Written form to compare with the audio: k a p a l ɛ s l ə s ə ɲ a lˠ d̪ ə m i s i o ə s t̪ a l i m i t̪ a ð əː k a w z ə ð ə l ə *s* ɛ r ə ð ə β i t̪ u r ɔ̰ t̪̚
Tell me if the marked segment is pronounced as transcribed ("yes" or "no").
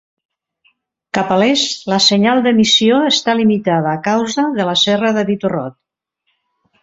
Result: yes